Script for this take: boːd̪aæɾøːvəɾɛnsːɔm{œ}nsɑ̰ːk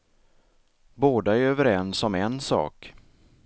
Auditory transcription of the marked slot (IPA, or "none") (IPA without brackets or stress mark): ɛ